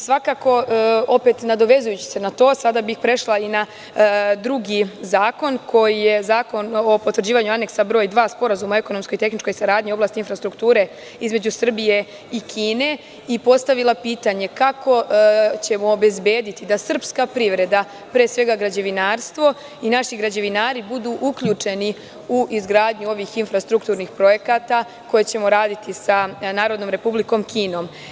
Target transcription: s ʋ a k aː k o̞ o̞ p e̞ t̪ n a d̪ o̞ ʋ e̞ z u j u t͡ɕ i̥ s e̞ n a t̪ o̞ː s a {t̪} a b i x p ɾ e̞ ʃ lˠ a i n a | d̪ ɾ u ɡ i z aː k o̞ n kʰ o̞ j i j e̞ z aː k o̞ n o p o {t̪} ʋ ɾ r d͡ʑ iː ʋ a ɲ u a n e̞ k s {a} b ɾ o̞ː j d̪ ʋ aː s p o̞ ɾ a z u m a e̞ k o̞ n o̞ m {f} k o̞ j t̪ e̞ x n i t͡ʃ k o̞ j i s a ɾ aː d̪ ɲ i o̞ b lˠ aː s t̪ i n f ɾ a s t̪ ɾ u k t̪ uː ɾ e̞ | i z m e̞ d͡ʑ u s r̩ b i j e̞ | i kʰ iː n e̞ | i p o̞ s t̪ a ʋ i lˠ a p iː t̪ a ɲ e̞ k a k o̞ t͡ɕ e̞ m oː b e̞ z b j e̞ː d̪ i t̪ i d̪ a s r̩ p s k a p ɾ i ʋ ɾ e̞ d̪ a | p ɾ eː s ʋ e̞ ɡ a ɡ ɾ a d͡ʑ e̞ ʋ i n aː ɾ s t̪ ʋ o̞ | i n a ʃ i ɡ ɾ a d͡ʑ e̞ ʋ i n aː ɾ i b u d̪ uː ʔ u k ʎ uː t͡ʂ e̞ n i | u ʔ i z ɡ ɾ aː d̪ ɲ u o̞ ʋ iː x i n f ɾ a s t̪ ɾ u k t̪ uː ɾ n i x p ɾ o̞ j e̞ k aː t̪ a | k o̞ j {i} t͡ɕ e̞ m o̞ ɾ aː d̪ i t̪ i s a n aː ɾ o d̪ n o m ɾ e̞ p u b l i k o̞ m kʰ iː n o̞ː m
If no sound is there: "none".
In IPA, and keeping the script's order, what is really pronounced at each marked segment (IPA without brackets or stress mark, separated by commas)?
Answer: d̪, t̪, a, s, e